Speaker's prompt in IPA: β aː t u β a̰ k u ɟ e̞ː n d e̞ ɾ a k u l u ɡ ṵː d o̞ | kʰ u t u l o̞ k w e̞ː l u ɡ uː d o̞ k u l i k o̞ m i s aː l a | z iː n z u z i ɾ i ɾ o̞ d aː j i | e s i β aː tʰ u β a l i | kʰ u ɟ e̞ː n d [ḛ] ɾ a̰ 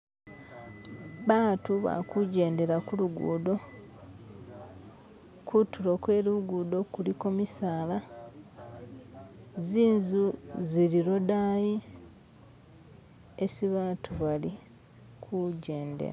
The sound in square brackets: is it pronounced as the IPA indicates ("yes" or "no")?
yes